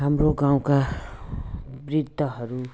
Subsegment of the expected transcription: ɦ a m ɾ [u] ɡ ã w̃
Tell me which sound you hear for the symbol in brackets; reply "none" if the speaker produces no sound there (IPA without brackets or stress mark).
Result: o